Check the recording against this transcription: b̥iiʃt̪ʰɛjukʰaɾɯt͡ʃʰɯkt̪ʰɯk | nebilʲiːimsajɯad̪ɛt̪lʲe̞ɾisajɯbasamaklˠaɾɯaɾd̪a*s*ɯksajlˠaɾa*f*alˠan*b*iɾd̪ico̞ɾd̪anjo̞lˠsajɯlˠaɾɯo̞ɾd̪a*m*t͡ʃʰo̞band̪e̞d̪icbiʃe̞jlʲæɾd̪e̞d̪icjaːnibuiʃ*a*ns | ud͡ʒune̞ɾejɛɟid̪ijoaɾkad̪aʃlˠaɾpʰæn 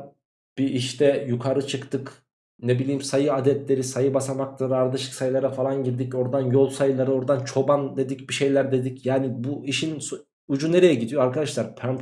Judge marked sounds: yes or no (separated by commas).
no, yes, no, no, no